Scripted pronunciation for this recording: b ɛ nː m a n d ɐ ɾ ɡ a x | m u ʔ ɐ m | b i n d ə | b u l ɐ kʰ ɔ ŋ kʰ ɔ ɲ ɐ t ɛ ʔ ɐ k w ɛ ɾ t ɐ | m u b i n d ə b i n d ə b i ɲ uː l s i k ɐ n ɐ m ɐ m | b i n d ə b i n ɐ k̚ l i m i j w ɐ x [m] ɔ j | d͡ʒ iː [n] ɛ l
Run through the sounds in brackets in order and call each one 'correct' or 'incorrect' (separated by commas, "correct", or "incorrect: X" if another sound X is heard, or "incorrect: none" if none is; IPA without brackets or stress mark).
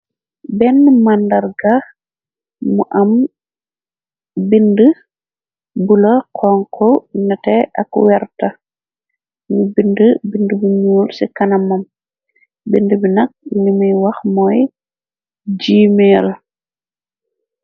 correct, incorrect: m